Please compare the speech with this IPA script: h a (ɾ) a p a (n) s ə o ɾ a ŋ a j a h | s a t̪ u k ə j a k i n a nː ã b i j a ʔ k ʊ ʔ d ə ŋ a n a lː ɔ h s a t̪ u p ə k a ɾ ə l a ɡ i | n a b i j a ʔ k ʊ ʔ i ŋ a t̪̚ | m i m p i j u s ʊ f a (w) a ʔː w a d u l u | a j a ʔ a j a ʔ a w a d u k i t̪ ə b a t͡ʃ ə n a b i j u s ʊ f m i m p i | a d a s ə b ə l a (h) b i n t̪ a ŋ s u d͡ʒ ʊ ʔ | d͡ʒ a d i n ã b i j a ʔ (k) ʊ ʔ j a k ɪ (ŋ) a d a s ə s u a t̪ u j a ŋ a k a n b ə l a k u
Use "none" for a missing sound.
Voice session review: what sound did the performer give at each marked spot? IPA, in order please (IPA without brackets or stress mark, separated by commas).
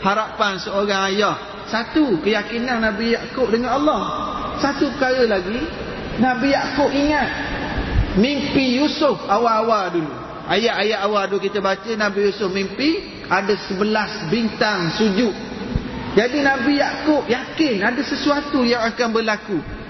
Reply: ɾ, n, w, s, k, n